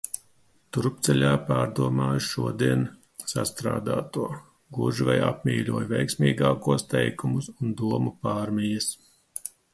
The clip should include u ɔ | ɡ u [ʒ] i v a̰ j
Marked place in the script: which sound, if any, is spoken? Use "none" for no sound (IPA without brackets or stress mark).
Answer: ʒ